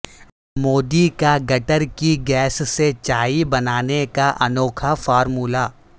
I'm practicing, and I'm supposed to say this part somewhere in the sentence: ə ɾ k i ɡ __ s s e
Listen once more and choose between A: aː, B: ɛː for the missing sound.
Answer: B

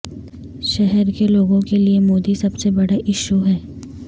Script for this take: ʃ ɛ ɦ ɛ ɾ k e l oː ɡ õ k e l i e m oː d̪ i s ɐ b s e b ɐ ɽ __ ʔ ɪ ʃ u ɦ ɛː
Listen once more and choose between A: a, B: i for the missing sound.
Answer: A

